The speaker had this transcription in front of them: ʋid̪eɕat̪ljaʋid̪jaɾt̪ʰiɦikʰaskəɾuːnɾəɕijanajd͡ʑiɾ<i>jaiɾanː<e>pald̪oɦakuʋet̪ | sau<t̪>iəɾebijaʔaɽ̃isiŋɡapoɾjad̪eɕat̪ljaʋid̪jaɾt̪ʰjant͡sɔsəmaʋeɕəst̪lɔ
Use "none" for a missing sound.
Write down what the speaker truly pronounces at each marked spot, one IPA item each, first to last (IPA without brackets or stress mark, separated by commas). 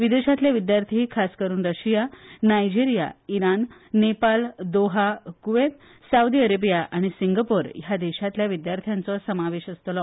i, e, d̪